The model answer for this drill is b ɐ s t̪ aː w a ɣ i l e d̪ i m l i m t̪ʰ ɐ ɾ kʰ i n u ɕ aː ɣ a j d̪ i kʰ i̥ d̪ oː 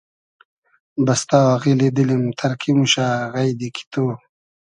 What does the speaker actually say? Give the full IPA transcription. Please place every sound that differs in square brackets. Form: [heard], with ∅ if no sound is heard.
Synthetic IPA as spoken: b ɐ s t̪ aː w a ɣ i l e d̪ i [∅] l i m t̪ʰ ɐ ɾ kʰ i [m] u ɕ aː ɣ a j d̪ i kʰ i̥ [t̪] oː